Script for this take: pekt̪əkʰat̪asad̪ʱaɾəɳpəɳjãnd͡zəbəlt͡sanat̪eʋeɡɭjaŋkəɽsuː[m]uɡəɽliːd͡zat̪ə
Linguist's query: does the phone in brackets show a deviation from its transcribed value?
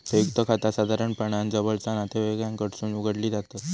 yes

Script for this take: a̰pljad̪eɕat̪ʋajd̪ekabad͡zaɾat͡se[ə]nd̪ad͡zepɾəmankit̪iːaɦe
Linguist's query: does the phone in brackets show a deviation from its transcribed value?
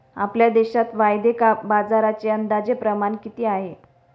no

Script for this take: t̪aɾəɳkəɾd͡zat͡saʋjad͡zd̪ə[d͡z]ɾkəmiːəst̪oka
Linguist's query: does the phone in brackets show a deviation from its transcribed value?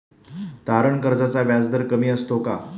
yes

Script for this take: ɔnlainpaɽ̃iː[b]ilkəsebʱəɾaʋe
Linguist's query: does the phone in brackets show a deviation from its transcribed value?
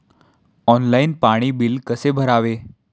no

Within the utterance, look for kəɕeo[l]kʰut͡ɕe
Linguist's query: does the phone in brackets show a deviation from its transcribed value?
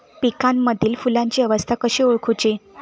yes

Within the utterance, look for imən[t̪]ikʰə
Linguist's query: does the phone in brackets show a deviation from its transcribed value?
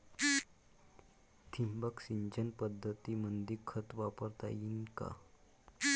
yes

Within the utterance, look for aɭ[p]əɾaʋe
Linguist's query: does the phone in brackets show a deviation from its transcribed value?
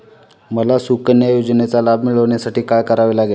yes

